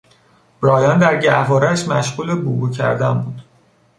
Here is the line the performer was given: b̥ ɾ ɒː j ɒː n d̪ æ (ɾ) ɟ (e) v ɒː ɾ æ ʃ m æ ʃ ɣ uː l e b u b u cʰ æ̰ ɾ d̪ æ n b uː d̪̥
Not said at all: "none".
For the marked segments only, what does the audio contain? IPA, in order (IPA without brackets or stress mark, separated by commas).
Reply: ɾ, æ